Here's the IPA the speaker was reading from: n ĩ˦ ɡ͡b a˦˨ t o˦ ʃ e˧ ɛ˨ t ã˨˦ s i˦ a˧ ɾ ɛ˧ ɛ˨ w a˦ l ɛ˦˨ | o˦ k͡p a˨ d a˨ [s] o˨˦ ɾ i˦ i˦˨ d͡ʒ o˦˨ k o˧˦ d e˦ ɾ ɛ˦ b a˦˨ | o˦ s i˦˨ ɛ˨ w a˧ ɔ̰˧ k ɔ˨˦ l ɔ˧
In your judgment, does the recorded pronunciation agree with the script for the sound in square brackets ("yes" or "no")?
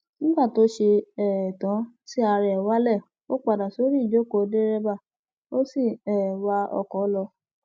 yes